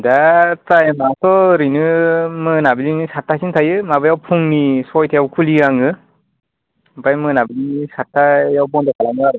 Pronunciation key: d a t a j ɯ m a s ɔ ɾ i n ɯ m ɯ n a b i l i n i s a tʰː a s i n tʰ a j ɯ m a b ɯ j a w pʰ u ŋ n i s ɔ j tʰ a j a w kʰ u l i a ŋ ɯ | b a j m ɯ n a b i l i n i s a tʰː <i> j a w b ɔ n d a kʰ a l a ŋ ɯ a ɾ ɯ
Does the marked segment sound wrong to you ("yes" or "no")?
yes